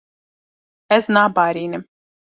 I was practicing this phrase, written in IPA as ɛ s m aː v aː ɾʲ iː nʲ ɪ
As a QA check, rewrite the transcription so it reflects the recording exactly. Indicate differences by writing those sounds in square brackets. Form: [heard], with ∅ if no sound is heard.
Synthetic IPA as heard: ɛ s [n] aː [b] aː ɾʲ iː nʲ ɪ